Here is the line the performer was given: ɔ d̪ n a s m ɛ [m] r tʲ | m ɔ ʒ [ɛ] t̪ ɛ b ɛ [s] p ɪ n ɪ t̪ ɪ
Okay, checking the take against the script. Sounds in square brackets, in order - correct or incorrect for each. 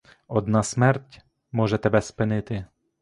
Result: incorrect, correct, correct

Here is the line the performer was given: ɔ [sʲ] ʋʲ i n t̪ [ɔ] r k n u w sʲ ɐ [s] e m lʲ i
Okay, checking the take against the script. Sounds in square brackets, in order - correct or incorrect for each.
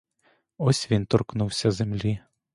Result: correct, correct, incorrect

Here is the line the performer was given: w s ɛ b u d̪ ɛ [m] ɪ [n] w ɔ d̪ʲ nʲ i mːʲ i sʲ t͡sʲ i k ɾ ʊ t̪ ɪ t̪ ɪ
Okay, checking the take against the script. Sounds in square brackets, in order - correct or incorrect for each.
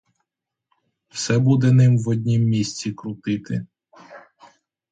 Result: incorrect, incorrect

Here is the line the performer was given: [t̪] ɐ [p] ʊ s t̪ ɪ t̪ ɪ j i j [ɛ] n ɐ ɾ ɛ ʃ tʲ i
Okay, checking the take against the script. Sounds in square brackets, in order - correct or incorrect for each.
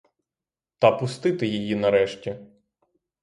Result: correct, correct, incorrect

